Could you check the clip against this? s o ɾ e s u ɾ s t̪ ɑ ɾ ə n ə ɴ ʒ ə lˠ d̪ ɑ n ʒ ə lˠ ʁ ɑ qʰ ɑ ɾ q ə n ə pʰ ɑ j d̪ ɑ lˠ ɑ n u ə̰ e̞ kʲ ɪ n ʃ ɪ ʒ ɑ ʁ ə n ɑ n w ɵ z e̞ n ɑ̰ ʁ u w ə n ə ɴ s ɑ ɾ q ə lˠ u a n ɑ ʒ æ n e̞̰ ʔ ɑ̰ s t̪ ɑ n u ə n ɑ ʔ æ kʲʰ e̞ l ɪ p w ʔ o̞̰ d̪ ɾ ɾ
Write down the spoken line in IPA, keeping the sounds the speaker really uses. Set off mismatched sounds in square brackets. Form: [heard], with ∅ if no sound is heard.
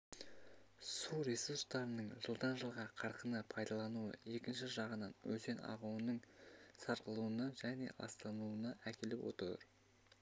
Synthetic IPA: s [u] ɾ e s u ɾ s t̪ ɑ ɾ ə n ə ɴ ʒ ə lˠ d̪ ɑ n ʒ ə lˠ ʁ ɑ qʰ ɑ ɾ q ə n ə pʰ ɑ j d̪ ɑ lˠ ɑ n u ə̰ e̞ kʲ ɪ n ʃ ɪ ʒ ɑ ʁ ə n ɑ n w ɵ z e̞ n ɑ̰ ʁ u w ə n ə ɴ s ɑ ɾ q ə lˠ u [ə] n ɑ ʒ æ n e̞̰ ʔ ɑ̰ s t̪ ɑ n u ə n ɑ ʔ æ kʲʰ e̞ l ɪ p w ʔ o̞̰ [t̪] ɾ ɾ